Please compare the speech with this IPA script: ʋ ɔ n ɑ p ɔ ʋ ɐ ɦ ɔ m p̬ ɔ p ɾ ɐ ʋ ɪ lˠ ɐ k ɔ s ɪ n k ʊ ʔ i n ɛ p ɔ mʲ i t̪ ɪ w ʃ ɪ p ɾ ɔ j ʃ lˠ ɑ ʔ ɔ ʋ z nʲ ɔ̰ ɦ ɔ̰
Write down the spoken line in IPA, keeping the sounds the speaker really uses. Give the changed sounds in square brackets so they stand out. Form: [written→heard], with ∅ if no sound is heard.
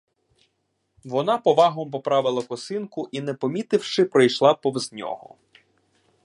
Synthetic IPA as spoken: ʋ ɔ n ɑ p ɔ ʋ [ɐ→ɑ] ɦ ɔ m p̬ ɔ p ɾ [ɐ→ɑ] ʋ ɪ lˠ ɐ k ɔ s ɪ n k ʊ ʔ i n ɛ p ɔ mʲ i t̪ ɪ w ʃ ɪ p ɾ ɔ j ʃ lˠ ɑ [ʔ→p] ɔ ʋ z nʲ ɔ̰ ɦ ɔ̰